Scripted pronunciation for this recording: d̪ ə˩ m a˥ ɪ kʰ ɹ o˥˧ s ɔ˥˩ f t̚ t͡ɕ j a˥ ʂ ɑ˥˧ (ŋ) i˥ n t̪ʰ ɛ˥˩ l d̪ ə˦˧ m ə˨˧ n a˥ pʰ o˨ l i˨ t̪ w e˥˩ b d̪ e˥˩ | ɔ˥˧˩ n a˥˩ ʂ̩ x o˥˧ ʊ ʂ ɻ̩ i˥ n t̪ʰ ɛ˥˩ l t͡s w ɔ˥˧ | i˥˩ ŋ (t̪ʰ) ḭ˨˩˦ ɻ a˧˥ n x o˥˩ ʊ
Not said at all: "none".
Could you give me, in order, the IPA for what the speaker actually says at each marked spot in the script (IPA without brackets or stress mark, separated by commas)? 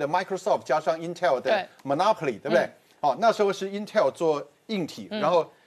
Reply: ŋ, t̪ʰ